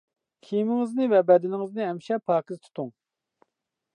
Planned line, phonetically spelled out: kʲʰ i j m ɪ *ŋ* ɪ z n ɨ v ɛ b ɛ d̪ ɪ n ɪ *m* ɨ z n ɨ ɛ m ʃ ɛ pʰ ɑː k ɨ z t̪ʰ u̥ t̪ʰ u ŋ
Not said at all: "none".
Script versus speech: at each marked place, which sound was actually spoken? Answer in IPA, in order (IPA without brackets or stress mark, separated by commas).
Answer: ŋ, ŋ